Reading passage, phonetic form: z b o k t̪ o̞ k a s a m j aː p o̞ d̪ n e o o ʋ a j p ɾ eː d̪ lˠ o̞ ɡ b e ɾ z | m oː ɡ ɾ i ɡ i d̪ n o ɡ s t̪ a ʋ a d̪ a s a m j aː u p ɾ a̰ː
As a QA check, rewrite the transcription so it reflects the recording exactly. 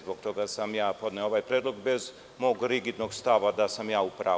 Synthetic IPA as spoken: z b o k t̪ o̞ ɡ a s a m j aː p o̞ d̪ n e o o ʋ a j p ɾ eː d̪ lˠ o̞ ɡ b e z | m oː ɡ ɾ i ɡ i d̪ n o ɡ s t̪ a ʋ a d̪ a s a m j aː u p ɾ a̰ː